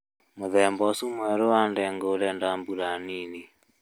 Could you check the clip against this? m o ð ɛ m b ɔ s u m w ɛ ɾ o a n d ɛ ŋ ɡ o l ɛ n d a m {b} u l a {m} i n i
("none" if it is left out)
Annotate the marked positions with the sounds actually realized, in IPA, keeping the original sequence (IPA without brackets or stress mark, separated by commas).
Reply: b, n